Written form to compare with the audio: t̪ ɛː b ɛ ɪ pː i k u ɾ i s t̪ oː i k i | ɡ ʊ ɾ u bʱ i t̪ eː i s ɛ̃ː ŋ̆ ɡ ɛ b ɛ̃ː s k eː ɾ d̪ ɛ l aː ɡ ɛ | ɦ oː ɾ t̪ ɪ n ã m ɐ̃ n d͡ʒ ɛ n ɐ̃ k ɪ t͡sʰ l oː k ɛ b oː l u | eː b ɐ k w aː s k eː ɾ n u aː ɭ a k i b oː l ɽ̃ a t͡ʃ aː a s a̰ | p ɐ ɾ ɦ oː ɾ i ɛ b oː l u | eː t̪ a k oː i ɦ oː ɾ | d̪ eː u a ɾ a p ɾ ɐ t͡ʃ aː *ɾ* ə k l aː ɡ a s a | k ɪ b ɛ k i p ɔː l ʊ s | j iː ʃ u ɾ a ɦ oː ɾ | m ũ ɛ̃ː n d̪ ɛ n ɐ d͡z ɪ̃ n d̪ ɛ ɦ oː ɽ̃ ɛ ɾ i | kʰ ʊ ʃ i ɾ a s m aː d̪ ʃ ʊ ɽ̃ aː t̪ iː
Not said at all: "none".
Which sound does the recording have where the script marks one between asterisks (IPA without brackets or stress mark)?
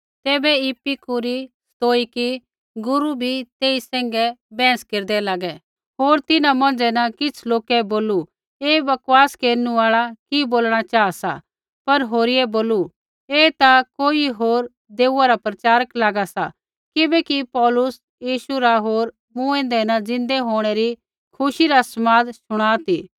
ɾ